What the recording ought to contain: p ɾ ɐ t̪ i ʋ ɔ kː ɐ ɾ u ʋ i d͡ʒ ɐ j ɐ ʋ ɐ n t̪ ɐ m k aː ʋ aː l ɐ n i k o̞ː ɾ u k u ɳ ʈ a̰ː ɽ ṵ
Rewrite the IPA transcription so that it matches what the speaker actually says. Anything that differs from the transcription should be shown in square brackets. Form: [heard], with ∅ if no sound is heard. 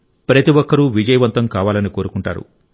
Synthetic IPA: p ɾ ɐ t̪ i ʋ ɔ kː ɐ ɾ u ʋ i d͡ʒ ɐ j ɐ ʋ ɐ n t̪ ɐ m k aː ʋ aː l ɐ n i k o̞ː ɾ u k u ɳ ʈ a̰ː [ɾ] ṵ